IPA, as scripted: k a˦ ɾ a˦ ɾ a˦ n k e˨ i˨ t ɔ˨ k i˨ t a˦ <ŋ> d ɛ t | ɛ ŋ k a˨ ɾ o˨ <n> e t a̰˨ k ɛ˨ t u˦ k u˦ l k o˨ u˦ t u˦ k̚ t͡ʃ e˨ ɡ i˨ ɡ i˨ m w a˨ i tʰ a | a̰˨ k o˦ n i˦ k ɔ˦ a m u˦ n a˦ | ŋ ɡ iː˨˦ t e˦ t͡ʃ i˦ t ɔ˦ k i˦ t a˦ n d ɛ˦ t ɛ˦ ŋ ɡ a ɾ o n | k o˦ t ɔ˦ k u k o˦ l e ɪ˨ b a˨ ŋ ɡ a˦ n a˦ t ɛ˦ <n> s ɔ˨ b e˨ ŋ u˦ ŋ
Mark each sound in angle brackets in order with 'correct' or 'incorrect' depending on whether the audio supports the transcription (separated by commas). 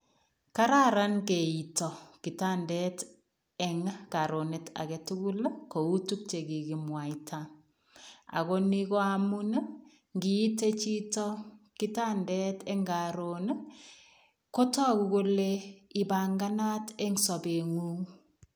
incorrect, correct, incorrect